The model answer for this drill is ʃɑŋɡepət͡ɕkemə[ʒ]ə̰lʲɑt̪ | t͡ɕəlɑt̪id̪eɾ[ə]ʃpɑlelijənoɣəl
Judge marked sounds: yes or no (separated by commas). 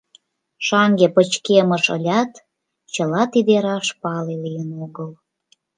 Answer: no, no